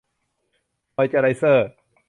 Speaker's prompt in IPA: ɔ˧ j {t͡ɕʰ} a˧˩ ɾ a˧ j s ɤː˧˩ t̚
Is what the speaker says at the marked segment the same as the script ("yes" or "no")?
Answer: no